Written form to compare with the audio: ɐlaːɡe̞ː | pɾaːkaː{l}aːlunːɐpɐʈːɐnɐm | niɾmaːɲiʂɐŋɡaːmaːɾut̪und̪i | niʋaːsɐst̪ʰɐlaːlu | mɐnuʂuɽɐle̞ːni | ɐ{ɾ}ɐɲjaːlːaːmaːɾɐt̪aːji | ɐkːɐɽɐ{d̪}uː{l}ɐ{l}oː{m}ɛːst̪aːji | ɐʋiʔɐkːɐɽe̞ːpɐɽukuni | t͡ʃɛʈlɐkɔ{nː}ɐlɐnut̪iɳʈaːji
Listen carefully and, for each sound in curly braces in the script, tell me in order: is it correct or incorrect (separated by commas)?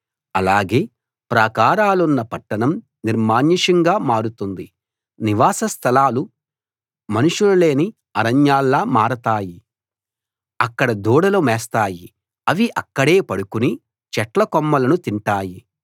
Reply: incorrect, correct, correct, incorrect, correct, correct, incorrect